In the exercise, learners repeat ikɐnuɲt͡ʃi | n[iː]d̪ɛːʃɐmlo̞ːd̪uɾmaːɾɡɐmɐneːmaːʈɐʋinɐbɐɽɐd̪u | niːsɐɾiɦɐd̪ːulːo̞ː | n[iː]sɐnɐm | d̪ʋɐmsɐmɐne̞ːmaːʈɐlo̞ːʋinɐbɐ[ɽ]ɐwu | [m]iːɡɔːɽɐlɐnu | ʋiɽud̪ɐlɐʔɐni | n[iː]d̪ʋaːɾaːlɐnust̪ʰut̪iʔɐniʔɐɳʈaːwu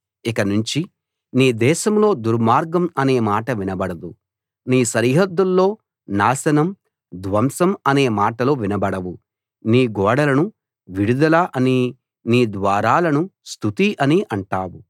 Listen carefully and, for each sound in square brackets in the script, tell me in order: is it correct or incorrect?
correct, incorrect, correct, incorrect, correct

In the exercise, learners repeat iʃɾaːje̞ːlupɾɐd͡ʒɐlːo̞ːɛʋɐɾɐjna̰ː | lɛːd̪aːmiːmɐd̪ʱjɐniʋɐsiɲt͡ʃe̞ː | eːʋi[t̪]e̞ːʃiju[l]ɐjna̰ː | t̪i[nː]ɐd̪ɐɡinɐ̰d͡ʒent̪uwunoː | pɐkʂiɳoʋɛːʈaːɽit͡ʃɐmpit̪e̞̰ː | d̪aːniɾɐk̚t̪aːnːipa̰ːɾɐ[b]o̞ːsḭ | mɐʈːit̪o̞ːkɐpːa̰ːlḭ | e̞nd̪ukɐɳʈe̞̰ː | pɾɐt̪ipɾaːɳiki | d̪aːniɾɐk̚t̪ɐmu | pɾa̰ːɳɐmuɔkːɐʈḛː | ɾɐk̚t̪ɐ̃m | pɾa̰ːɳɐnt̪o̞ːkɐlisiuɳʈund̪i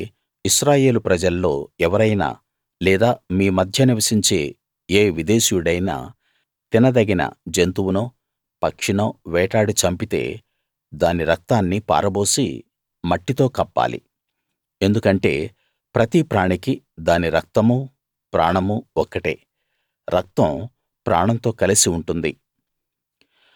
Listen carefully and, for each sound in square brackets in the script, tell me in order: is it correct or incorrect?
incorrect, incorrect, incorrect, correct

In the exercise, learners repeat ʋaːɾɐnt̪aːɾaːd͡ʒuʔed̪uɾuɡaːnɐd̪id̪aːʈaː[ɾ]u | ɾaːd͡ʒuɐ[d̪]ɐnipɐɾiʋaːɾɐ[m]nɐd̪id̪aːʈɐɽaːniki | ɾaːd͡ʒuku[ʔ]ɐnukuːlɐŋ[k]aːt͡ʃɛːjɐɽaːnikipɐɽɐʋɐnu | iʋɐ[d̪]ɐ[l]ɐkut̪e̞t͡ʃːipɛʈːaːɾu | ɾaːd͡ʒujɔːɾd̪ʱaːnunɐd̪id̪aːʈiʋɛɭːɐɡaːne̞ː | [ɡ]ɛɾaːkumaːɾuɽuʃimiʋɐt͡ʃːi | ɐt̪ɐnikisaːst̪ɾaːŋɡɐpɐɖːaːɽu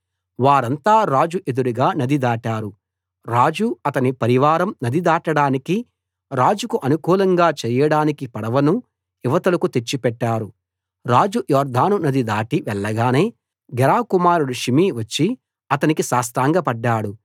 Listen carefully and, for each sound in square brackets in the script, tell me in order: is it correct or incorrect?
correct, incorrect, correct, correct, incorrect, incorrect, correct, correct

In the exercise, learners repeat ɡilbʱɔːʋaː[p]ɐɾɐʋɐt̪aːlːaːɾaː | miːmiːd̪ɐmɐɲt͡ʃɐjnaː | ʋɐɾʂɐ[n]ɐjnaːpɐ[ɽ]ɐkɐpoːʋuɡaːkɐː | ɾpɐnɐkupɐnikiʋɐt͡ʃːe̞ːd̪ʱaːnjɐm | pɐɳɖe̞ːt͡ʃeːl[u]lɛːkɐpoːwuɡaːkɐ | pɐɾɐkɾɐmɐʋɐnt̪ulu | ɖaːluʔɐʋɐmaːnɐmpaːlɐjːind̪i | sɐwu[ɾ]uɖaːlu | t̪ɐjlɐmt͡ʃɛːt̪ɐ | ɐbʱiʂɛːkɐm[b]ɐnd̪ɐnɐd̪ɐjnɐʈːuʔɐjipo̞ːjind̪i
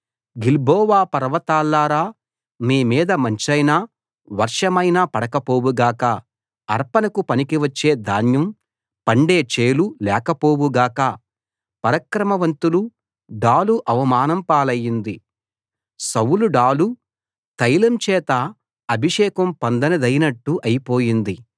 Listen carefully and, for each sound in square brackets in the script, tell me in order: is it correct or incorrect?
correct, incorrect, correct, correct, incorrect, incorrect

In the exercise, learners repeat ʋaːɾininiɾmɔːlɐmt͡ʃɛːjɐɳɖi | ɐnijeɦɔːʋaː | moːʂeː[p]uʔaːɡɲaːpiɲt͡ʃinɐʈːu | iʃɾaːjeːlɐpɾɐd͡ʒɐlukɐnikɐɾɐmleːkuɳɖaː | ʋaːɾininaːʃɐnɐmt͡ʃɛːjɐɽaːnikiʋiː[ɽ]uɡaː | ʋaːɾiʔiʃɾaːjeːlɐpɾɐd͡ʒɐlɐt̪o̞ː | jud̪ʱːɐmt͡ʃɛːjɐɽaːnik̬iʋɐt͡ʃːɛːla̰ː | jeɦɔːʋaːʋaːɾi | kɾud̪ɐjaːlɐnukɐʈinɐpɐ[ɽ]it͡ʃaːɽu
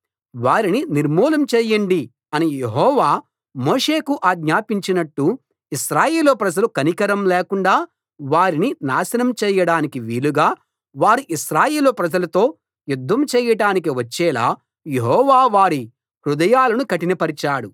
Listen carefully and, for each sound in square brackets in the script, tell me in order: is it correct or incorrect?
incorrect, incorrect, incorrect

